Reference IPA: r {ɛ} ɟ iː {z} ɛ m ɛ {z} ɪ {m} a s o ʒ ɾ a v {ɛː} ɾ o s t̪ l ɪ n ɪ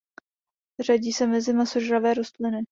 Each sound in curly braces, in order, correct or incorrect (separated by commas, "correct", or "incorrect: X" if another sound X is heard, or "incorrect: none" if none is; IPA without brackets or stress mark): incorrect: a, incorrect: s, correct, correct, correct